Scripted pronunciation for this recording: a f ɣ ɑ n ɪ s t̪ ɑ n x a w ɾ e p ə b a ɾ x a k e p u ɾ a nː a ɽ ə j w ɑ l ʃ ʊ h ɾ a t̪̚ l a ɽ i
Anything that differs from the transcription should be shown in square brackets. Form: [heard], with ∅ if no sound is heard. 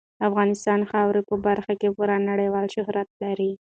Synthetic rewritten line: a f ɣ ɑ n ɪ s t̪ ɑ n x [ɑ] w ɾ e p ə b a ɾ x a k e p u ɾ a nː a ɽ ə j w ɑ l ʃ ʊ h ɾ a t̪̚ l a [ɾ] i